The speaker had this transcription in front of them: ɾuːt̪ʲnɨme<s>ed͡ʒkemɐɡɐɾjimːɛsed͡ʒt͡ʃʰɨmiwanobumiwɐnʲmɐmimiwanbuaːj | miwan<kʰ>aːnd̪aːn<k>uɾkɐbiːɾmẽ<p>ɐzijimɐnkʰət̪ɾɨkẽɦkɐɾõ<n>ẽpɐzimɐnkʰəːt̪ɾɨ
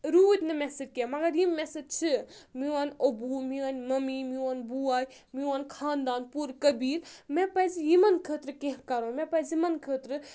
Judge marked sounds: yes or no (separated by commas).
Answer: yes, yes, no, yes, no